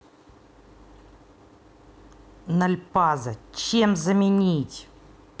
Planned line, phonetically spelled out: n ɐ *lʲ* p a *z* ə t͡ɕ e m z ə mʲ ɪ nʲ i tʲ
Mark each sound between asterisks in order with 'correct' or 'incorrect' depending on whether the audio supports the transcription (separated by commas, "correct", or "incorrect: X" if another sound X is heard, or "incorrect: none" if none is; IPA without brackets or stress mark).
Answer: correct, correct